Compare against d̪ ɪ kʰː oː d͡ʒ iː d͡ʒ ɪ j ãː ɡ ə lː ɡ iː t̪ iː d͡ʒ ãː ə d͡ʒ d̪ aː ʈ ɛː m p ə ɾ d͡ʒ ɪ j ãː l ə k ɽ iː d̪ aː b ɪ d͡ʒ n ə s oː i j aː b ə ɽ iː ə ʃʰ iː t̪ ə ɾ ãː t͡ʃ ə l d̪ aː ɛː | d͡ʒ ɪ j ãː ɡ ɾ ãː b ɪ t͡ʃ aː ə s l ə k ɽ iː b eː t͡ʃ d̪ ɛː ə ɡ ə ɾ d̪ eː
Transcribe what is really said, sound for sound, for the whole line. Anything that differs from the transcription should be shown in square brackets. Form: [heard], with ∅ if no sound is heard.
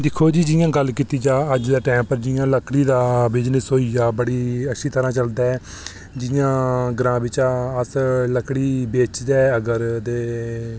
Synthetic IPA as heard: d̪ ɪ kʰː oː d͡ʒ iː d͡ʒ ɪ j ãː ɡ ə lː [k] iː t̪ iː d͡ʒ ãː ə d͡ʒ d̪ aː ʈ ɛː m p ə ɾ d͡ʒ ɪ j ãː l ə k ɽ iː d̪ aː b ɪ d͡ʒ n ə s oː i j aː b ə ɽ iː ə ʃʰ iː t̪ ə ɾ ãː t͡ʃ ə l d̪ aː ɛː | d͡ʒ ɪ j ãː ɡ ɾ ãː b ɪ t͡ʃ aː ə s l ə k ɽ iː b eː t͡ʃ d̪ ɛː ə ɡ ə ɾ d̪ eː